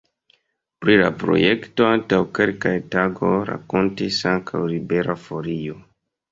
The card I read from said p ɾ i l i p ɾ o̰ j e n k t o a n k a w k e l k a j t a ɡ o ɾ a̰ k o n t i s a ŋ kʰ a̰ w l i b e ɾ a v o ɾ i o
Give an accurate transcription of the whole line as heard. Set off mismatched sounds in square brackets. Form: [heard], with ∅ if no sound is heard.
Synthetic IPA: p ɾ i l [a] p ɾ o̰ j e [∅] k t o a n [t] a w k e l k a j t a ɡ o ɾ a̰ k o n t i s a ŋ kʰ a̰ w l i b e ɾ a [f] o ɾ i o